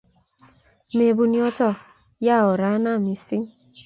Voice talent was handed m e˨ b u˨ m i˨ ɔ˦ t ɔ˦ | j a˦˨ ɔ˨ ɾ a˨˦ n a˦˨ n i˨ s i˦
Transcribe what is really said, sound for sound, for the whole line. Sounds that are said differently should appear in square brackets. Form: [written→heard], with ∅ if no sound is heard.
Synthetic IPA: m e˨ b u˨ [m→n] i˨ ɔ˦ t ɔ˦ | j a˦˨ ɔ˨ ɾ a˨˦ n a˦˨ [n→m] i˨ s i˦